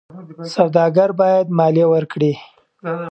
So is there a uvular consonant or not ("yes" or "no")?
no